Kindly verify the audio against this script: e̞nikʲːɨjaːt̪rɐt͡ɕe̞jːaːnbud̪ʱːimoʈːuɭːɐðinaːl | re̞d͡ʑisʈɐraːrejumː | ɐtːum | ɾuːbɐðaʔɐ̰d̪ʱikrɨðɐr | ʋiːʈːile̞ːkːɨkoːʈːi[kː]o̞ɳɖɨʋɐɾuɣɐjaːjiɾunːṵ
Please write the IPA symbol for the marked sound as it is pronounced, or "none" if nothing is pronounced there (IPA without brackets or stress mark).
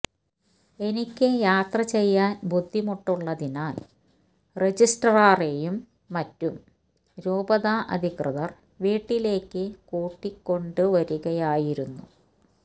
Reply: kː